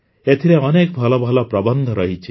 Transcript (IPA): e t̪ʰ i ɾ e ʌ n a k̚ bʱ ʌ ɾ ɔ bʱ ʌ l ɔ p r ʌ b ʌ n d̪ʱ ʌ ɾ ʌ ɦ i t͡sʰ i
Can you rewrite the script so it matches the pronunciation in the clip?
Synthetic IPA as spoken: e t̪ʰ i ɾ e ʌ n e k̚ bʱ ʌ l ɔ bʱ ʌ l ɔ p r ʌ b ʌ n d̪ʱ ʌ ɾ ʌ ɦ i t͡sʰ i